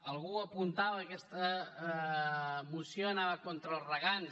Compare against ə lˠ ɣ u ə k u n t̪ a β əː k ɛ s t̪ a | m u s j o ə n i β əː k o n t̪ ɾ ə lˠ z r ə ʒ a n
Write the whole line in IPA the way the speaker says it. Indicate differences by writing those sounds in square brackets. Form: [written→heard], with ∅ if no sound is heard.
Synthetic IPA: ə lˠ ɣ u ə [k→p] u n t̪ a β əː k ɛ s t̪ [a→ə] | m u s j o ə n [i→a] β [əː→ə] k o n t̪ ɾ ə lˠ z r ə [ʒ→ɣ] a n